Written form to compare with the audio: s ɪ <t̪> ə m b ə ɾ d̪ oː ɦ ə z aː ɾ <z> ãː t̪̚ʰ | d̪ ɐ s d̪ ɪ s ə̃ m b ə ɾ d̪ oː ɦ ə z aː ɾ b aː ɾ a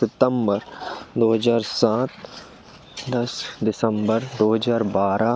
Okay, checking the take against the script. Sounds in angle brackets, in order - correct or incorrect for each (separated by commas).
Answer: correct, incorrect